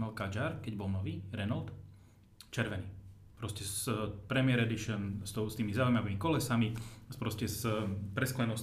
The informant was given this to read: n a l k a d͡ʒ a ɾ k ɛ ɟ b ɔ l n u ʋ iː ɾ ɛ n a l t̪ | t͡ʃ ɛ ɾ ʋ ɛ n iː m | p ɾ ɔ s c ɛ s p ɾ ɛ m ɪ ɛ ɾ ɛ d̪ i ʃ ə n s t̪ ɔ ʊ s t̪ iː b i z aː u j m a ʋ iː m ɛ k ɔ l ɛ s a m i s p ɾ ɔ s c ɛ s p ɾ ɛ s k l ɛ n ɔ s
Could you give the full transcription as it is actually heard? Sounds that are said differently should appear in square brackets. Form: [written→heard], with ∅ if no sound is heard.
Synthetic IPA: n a l k a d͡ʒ a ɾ k ɛ ɟ b ɔ l n [u→ɔ] ʋ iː ɾ ɛ n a l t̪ | t͡ʃ ɛ ɾ ʋ ɛ n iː [m→∅] | p ɾ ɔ s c ɛ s p ɾ ɛ m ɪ ɛ ɾ ɛ d̪ i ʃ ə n s t̪ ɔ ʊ s t̪ iː [b→m] i z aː u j m a ʋ iː m [ɛ→i] k ɔ l ɛ s a m i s p ɾ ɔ s c ɛ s p ɾ ɛ s k l ɛ n ɔ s